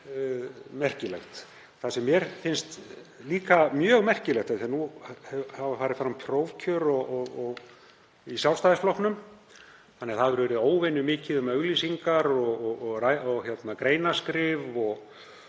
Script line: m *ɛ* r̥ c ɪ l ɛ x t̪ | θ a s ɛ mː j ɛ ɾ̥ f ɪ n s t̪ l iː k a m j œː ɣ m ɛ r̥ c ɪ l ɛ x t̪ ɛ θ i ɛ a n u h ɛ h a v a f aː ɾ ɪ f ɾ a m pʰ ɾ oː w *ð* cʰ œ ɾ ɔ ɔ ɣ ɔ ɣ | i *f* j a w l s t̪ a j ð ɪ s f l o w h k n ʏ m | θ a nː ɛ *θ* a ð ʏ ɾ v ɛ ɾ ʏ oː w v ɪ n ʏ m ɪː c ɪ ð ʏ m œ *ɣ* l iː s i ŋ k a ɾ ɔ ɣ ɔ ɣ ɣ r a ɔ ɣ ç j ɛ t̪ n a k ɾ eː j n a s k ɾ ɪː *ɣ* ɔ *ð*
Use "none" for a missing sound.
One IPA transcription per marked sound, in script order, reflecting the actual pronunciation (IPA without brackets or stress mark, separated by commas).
ɛ, v, s, θ, ɣ, v, ɣ